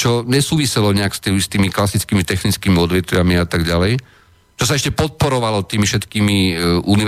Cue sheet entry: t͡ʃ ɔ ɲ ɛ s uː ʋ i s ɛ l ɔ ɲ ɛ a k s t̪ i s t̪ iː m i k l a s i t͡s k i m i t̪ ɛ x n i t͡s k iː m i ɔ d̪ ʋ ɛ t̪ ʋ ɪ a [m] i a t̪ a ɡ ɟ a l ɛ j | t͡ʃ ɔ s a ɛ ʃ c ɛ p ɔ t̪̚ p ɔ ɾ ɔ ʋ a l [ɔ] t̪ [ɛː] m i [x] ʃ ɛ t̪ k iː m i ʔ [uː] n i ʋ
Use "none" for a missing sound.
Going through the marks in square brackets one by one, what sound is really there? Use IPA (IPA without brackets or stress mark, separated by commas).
m, ɔ, iː, f, u